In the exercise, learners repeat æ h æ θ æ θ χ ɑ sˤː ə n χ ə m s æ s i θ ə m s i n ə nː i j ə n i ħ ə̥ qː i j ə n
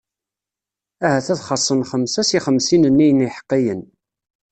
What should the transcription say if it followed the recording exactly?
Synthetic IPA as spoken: æ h æ θ æ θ χ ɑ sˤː ə n χ ə m s æ s i χ ə m s i n ə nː i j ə n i ħ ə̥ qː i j ə n